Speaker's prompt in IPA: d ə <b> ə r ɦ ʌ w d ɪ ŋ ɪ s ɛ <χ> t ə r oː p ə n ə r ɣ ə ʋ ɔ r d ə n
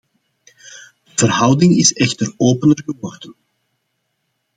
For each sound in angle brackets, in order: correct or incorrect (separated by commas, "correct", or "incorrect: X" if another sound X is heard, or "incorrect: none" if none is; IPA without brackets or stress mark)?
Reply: incorrect: v, incorrect: x